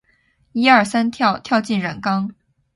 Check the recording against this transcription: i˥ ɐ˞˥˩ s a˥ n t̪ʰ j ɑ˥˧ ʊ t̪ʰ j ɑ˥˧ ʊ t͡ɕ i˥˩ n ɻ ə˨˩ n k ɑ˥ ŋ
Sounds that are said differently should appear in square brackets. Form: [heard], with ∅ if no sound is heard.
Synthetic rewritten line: i˥ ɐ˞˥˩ s a˥ n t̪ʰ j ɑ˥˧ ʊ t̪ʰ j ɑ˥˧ ʊ t͡ɕ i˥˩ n ɻ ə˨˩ n k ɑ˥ ŋ